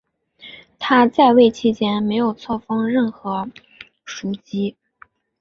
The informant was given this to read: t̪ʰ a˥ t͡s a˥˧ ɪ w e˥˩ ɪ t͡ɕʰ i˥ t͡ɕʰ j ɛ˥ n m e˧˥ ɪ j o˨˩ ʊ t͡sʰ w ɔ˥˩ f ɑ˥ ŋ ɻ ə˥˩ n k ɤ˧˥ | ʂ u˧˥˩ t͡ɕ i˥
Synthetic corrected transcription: t̪ʰ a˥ t͡s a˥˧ ɪ w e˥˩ ɪ t͡ɕʰ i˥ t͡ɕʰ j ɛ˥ n m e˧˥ ɪ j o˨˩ ʊ t͡sʰ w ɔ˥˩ f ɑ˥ ŋ ɻ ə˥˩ n x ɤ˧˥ | ʂ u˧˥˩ t͡ɕ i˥